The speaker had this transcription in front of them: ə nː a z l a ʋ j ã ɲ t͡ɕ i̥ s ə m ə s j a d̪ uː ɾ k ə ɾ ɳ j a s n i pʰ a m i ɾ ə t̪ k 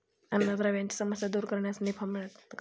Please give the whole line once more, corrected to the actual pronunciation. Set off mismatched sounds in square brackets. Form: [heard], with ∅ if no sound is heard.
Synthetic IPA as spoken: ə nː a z [ɾ] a ʋ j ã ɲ t͡ɕ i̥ s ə m ə s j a d̪ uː ɾ k ə ɾ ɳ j a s n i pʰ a m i [ɭ] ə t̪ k